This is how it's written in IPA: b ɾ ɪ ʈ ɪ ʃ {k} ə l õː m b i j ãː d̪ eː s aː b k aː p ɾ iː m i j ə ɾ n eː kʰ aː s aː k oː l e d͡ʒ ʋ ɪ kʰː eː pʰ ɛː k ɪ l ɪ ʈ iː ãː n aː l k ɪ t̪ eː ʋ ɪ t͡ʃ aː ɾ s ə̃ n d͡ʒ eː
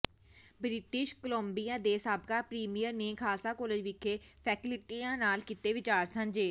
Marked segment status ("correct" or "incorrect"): correct